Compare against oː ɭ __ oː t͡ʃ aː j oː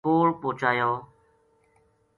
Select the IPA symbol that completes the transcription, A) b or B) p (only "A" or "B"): B